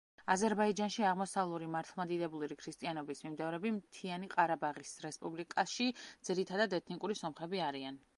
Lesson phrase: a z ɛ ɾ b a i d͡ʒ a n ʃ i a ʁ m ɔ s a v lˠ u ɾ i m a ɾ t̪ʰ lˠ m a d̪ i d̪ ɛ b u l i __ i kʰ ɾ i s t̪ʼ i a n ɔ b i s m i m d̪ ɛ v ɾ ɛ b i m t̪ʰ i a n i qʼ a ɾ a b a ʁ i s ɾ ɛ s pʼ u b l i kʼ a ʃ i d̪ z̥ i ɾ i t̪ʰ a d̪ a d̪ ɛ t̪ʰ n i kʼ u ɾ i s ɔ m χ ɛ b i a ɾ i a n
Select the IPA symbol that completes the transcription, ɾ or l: ɾ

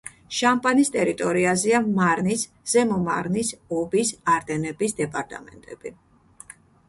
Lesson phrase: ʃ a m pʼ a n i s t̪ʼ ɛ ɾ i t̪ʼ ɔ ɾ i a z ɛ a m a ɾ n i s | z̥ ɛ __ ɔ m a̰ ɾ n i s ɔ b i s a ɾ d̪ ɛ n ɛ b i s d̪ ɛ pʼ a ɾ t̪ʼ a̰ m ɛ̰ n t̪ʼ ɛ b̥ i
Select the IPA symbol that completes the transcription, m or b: m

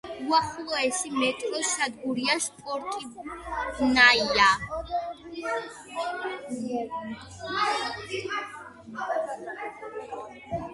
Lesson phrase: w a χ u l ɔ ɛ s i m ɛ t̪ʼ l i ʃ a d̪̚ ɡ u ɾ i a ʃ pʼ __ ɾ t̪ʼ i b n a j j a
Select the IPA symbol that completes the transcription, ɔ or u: ɔ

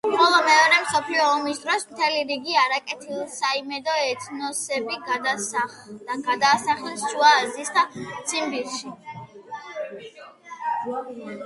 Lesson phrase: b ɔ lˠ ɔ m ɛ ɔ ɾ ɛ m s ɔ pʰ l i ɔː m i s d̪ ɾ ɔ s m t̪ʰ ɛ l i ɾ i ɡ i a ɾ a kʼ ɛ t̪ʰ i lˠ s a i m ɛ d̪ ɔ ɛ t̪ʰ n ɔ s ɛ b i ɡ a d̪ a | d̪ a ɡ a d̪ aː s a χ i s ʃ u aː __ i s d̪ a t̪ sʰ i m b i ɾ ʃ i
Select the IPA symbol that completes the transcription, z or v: z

